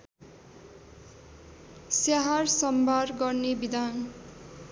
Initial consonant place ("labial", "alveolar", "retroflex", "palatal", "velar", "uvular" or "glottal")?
alveolar